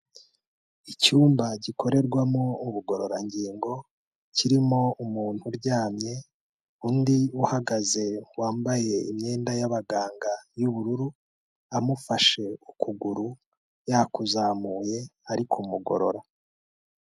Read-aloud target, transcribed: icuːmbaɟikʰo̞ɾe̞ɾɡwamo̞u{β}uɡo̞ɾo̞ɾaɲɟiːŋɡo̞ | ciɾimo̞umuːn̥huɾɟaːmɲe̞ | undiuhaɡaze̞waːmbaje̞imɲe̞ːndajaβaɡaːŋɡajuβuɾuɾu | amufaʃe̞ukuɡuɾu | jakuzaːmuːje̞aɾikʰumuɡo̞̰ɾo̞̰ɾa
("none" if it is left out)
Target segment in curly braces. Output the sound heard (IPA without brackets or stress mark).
β